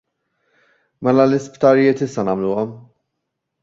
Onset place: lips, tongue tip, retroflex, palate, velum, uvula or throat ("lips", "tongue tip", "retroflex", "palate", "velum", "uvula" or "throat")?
lips